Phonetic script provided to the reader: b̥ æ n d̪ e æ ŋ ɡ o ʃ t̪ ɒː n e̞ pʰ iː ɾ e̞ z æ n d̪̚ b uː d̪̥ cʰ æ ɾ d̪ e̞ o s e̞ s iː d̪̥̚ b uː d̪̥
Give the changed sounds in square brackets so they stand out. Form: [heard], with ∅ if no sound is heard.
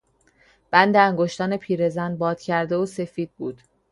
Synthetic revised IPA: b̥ æ n d̪ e æ ŋ ɡ o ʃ t̪ ɒː n e̞ pʰ iː ɾ e̞ z æ n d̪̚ b [ɒː] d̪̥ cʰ æ ɾ d̪ e̞ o s e̞ [f] iː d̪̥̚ b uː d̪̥